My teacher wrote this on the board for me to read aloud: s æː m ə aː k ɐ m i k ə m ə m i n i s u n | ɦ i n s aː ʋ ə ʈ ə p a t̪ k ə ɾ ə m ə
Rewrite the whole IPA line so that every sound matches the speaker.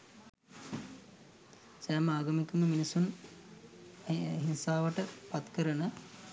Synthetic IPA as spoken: s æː m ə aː ɡ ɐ m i k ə m ə m i n i s u n | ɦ i n s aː ʋ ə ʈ ə p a t̪ k ə ɾ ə n ə